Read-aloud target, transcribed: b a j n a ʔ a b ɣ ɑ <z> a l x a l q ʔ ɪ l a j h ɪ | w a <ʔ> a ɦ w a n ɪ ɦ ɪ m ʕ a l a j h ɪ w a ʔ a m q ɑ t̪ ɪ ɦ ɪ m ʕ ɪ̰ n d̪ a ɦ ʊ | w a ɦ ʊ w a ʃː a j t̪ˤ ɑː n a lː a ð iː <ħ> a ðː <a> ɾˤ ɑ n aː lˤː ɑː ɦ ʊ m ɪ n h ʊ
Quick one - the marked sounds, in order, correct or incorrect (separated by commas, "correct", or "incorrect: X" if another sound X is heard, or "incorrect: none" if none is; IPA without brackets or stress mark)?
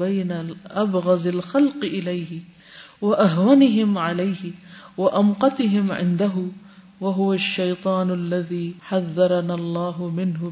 correct, correct, correct, incorrect: ɑ